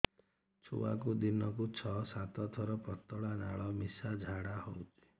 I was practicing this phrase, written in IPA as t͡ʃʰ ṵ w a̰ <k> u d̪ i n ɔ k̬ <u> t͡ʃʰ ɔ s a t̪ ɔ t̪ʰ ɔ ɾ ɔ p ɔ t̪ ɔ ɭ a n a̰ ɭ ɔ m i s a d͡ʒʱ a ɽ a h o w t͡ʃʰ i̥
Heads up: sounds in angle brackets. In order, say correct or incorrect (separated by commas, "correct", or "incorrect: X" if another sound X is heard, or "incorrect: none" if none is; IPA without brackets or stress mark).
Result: correct, correct